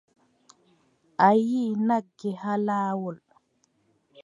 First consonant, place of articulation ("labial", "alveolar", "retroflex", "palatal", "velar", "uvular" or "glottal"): glottal